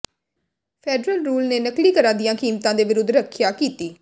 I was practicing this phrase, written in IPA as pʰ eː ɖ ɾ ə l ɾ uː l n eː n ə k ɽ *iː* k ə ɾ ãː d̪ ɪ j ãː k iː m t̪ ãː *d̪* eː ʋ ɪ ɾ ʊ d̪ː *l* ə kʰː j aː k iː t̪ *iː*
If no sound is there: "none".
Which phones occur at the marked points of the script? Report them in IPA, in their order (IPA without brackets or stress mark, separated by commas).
iː, d̪, ɾ, iː